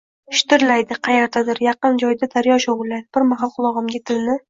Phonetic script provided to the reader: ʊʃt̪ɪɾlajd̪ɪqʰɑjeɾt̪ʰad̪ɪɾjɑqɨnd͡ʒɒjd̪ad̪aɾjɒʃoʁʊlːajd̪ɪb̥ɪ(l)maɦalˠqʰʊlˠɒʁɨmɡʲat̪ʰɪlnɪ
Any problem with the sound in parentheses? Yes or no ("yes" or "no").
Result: yes